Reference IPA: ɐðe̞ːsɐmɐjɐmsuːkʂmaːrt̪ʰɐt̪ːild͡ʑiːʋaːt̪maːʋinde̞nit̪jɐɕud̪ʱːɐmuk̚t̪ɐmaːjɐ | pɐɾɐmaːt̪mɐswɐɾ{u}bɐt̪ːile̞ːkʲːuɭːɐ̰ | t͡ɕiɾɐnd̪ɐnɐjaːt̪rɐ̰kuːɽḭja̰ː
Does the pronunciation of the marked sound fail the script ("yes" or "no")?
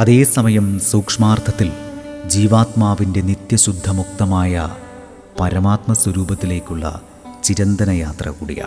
yes